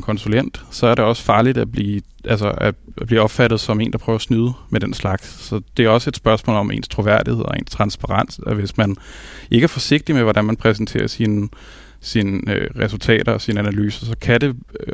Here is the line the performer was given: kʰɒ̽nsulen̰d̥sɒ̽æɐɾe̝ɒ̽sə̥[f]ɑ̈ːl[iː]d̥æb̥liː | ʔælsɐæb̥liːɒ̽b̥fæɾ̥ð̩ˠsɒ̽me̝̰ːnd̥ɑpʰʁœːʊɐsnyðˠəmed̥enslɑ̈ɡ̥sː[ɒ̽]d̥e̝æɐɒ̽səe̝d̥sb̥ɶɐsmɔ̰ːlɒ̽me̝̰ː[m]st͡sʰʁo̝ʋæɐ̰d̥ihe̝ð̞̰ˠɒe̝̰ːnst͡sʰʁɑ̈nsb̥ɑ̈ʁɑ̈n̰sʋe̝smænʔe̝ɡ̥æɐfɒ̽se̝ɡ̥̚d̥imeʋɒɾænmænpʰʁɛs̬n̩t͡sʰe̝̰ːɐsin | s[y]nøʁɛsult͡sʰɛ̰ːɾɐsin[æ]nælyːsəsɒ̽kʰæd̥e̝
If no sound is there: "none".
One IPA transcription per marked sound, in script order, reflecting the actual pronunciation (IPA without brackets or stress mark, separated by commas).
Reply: f, i, ɒ̽, n, i, æ